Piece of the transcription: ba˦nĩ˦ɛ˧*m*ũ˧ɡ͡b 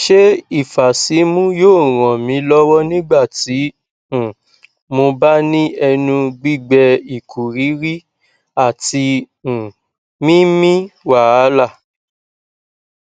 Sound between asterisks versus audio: incorrect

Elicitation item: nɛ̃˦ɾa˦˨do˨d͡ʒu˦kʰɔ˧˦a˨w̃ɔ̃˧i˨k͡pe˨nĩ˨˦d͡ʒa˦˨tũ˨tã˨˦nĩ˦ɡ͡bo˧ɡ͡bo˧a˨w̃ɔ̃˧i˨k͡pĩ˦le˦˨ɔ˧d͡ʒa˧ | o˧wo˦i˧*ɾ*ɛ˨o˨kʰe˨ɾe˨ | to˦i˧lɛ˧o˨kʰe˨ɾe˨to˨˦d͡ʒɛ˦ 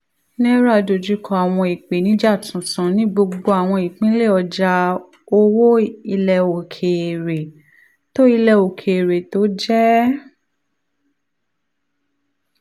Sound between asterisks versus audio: incorrect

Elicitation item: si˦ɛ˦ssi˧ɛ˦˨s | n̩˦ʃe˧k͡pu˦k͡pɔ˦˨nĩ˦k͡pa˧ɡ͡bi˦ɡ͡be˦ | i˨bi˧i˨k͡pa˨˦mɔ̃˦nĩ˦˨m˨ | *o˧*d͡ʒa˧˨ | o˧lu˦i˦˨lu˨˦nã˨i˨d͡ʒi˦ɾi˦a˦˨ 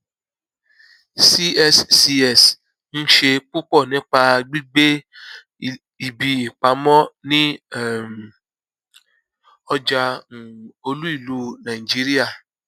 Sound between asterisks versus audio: incorrect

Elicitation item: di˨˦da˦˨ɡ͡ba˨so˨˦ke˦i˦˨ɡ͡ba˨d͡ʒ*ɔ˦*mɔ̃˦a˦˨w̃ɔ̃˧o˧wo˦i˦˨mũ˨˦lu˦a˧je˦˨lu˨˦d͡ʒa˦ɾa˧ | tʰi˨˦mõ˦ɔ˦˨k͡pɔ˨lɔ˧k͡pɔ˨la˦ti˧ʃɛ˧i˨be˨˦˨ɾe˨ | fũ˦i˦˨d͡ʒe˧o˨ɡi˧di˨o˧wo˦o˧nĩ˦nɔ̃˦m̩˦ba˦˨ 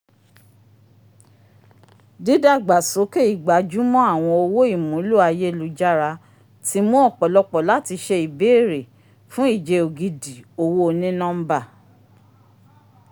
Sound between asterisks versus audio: incorrect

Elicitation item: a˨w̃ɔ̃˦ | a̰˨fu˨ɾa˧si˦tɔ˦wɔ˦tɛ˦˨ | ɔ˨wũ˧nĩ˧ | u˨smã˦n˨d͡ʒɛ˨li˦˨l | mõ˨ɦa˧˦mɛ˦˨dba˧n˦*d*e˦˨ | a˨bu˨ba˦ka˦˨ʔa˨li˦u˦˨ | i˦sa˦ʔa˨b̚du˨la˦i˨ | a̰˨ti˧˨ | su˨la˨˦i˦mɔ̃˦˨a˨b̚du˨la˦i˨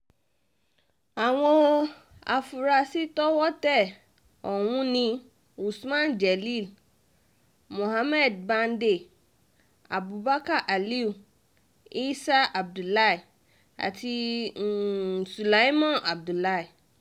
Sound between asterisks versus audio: correct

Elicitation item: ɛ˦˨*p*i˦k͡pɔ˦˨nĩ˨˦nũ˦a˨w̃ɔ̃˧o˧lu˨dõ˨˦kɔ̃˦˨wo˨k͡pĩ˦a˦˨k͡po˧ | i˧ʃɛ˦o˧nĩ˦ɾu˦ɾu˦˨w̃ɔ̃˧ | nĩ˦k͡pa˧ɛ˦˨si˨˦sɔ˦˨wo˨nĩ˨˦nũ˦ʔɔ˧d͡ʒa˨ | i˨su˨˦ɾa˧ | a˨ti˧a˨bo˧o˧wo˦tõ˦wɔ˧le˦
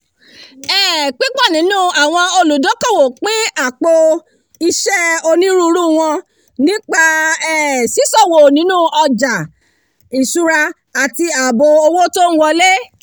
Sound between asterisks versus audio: incorrect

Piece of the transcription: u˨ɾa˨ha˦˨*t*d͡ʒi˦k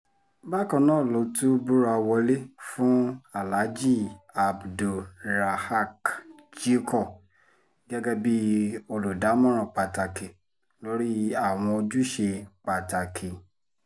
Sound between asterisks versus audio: incorrect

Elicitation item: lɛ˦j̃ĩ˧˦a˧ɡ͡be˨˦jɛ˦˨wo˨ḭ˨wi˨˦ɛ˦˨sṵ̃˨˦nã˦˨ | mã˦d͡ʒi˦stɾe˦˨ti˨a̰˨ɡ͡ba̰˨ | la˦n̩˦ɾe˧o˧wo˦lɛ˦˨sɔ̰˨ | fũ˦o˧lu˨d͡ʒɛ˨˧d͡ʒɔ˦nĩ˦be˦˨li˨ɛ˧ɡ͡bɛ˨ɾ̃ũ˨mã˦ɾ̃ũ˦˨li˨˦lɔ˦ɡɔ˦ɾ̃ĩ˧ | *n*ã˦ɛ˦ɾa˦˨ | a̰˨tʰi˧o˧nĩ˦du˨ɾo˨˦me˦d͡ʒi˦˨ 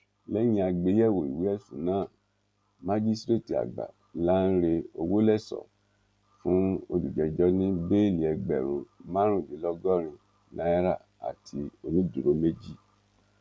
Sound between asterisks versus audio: correct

